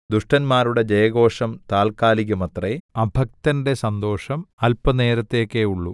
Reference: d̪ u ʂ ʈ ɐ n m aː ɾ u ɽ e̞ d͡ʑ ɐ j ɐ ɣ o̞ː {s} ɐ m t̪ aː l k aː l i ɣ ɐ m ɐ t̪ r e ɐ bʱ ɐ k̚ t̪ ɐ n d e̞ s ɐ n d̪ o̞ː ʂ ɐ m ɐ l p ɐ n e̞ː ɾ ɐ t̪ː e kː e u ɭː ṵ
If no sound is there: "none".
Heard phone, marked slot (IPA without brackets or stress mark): ʂ